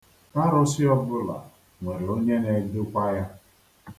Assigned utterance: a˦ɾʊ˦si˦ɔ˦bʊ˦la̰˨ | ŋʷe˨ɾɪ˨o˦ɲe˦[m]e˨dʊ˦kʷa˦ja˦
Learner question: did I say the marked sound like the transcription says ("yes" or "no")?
no